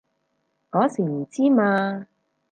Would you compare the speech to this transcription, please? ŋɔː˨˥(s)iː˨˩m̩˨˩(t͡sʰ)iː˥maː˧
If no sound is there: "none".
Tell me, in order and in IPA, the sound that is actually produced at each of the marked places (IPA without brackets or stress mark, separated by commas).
s, t͡s